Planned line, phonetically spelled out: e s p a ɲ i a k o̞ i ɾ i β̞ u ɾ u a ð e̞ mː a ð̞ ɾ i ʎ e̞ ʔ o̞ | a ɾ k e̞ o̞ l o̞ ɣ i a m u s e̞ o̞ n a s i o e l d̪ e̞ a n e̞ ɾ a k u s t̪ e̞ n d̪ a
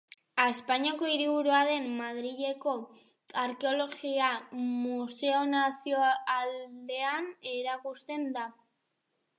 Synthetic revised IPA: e s p a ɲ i a k o̞ i ɾ i β̞ u ɾ u a ð e̞ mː a ð̞ ɾ i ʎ e̞ k o̞ | a ɾ k e̞ o̞ l o̞ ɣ i a m u s e̞ o̞ n a s i o a l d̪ e̞ a n e̞ ɾ a k u s t̪ e̞ n d̪ a